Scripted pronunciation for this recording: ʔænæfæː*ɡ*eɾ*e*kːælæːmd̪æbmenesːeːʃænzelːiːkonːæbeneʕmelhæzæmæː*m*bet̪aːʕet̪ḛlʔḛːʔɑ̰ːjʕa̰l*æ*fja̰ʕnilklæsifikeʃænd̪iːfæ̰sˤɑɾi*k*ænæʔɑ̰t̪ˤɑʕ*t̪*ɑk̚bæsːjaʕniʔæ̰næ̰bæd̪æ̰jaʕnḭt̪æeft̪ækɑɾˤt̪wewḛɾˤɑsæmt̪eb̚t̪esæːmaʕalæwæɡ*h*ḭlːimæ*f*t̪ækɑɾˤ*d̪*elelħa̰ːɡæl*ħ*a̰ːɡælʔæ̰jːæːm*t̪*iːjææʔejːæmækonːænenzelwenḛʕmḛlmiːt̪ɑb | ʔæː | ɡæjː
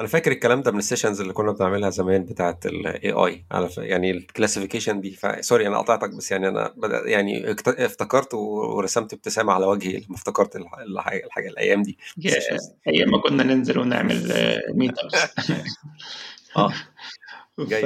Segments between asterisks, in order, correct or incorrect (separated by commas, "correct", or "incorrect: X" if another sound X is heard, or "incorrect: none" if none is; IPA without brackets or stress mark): incorrect: k, correct, incorrect: n, correct, incorrect: ʔ, correct, correct, correct, incorrect: t̪, correct, incorrect: d̪